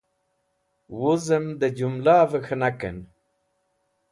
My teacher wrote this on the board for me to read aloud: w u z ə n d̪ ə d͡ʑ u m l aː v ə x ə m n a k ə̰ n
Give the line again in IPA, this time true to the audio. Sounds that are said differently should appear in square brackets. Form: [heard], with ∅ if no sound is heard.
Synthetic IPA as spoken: w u z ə [m] d̪ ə d͡ʑ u m l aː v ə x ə [∅] n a k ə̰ n